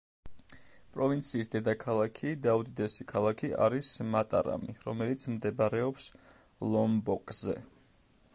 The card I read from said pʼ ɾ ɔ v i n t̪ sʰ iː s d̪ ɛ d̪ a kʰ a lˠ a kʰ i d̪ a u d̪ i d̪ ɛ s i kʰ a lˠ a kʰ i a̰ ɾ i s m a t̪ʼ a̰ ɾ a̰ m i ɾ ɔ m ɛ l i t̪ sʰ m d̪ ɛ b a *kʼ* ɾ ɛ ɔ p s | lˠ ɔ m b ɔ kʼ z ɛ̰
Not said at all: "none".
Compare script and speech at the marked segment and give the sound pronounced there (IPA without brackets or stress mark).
none